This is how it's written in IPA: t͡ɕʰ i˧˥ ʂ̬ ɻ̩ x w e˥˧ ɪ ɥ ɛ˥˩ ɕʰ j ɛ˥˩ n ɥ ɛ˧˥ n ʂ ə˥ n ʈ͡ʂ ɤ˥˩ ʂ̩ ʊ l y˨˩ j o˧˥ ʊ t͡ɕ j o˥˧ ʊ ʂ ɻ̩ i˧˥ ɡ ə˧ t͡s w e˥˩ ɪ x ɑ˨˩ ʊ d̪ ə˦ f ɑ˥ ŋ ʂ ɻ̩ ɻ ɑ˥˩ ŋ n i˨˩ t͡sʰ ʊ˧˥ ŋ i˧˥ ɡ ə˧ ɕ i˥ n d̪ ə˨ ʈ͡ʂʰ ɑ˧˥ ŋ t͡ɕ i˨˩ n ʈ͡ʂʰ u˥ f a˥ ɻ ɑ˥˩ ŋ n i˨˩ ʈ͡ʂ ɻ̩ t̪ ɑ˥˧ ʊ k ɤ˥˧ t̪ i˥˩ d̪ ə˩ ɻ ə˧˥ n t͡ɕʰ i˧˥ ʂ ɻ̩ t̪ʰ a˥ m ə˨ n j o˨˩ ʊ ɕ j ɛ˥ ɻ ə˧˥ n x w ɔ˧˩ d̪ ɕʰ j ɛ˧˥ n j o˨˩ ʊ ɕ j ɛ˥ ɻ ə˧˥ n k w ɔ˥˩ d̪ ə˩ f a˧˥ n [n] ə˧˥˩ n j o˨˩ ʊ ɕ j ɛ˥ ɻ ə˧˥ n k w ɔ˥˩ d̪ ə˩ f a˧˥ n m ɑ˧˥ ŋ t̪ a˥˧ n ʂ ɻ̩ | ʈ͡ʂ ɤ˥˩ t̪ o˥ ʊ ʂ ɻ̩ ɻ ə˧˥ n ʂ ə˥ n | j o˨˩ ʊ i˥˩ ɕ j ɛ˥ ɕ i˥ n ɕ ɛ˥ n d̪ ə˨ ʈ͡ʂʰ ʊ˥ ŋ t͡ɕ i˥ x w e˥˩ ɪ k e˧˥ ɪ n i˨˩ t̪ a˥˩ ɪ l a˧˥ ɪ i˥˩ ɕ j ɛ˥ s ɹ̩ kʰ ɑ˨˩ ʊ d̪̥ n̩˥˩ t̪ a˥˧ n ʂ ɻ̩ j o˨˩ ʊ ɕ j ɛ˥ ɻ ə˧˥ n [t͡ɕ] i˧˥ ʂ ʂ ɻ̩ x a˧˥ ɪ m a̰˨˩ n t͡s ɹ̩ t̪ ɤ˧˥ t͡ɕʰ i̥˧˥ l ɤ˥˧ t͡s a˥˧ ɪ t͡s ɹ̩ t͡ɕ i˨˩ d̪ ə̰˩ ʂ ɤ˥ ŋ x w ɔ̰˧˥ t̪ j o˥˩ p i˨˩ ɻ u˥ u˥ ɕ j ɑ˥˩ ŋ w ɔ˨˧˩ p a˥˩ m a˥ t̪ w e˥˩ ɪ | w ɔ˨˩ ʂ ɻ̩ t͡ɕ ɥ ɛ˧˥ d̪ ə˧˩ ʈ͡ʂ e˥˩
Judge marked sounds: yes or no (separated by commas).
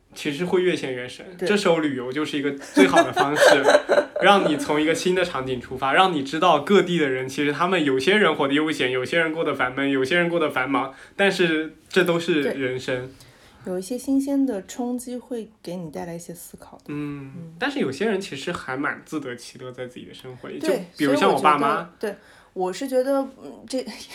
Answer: no, no